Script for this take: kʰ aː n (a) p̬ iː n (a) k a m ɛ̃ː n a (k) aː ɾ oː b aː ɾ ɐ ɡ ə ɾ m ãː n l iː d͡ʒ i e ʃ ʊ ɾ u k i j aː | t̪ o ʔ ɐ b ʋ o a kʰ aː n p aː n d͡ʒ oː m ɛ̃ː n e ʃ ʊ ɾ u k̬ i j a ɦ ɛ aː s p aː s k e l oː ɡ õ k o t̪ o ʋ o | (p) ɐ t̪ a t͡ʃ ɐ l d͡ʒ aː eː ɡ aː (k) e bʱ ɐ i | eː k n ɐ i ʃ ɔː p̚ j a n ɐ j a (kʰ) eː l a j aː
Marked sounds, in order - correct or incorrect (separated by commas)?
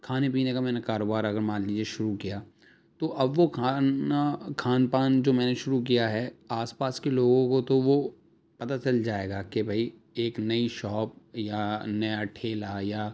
incorrect, incorrect, correct, correct, correct, incorrect